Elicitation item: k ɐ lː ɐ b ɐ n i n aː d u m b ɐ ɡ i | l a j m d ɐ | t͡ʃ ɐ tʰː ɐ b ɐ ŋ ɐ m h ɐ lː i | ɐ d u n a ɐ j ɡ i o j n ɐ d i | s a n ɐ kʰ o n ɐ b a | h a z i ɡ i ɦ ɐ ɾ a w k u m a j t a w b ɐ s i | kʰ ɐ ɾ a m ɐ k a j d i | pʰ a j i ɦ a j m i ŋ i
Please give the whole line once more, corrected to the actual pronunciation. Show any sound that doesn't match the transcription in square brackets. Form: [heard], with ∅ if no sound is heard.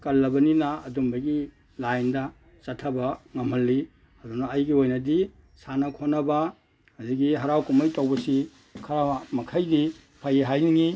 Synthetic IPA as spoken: k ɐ lː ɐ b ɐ n i n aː d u m b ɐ ɡ i | l a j [n] d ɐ | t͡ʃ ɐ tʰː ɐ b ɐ ŋ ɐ m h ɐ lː i | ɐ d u n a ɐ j ɡ i o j n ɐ d i | s a n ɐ kʰ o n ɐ b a | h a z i ɡ i ɦ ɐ ɾ a w k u m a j t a w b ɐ s i | kʰ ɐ ɾ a m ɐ [kʰ] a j d i | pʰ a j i ɦ a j [n] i ŋ i